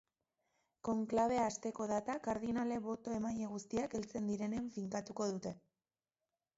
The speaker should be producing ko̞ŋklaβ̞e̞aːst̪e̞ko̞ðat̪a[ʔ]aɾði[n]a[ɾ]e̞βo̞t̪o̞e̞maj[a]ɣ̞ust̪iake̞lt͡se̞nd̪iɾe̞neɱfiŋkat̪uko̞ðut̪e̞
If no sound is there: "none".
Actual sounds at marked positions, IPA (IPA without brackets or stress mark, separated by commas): k, n, l, e